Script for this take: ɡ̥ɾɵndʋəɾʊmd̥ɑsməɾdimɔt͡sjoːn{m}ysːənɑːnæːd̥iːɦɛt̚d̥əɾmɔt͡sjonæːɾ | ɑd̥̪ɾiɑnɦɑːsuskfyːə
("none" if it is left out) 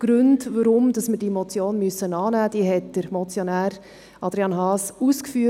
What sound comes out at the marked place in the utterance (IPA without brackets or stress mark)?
m